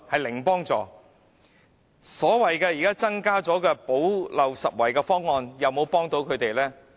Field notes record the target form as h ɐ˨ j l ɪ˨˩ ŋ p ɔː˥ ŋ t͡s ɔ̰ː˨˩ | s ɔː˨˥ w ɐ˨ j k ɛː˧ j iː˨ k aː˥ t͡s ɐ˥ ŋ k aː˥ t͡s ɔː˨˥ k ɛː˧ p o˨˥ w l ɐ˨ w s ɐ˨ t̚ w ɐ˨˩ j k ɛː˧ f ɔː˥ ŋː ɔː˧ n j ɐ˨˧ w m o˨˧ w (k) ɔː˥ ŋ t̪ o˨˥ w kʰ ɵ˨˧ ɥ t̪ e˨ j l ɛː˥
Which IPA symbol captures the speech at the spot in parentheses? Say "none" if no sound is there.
p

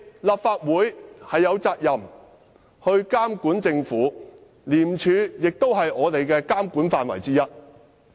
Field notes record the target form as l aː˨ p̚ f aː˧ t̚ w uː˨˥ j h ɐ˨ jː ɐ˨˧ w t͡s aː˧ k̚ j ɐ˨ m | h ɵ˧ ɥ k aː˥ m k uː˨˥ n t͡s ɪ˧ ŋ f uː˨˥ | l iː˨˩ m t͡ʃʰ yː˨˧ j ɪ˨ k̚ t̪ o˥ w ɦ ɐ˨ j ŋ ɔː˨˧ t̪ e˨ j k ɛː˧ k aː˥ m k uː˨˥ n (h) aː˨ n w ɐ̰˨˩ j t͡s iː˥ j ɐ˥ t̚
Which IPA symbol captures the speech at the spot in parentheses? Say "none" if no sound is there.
f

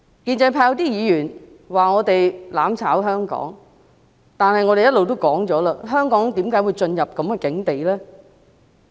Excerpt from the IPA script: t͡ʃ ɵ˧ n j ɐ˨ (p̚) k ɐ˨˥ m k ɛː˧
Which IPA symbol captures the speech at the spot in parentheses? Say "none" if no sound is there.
p̚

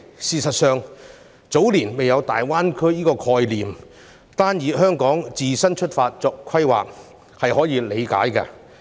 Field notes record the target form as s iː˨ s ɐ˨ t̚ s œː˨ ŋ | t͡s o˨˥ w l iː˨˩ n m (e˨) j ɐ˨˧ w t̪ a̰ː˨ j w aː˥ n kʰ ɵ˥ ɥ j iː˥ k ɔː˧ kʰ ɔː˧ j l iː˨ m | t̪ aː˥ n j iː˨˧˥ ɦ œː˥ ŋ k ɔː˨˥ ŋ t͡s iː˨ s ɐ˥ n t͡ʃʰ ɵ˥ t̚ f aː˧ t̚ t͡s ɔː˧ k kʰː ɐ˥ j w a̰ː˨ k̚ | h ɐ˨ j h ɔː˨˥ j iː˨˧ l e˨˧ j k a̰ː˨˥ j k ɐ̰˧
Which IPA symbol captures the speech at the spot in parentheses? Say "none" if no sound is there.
e˨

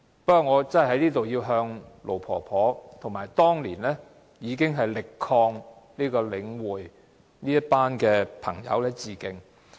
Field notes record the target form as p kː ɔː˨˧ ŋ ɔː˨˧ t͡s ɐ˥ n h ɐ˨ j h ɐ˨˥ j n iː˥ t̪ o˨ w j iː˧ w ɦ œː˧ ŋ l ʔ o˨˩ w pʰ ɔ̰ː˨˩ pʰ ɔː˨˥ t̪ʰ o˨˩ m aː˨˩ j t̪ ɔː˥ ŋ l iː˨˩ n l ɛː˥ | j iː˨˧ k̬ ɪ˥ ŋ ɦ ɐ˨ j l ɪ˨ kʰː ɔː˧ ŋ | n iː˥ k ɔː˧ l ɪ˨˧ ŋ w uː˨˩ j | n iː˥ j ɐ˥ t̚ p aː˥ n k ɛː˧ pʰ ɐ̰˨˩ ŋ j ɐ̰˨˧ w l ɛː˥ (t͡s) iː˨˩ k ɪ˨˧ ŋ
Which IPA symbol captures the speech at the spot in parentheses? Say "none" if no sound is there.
t͡s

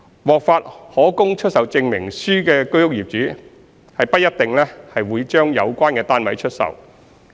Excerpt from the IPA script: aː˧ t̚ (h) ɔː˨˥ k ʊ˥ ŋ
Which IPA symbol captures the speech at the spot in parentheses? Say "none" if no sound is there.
h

